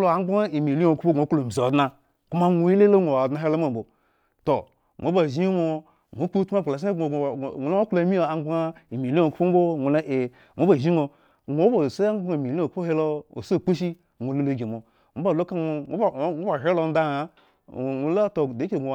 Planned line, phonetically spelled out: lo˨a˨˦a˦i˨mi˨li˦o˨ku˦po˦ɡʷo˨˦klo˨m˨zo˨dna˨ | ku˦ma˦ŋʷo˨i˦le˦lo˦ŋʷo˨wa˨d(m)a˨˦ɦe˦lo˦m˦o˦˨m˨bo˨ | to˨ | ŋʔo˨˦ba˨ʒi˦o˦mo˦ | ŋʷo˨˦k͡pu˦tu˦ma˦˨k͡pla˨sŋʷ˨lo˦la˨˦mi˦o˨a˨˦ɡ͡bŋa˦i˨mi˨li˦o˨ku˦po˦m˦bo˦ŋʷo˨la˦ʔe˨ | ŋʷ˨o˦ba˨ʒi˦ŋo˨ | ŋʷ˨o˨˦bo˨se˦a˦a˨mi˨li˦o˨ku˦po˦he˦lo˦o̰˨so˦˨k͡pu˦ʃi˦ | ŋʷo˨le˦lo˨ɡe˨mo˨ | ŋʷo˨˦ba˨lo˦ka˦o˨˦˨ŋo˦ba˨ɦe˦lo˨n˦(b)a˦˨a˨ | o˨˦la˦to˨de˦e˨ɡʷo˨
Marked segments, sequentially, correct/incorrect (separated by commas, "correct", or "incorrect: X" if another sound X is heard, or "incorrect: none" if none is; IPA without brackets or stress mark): incorrect: n, incorrect: d